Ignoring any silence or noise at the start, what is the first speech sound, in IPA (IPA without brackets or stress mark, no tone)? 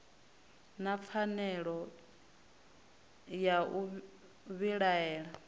n